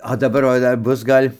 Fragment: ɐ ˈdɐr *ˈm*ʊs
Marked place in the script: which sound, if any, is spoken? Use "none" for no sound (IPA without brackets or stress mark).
b